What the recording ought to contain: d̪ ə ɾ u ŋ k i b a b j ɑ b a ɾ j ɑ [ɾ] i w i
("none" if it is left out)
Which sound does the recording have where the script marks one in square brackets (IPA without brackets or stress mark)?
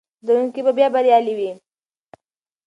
l